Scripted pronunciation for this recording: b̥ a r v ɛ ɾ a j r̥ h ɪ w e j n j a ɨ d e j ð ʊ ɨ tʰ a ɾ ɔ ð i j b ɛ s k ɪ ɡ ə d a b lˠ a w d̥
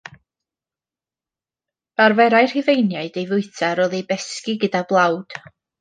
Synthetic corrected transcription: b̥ a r v ɛ ɾ a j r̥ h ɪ v e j n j a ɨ d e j v ʊ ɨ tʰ a ɾ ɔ ð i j b ɛ s k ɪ ɡ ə d a b lˠ a w d̥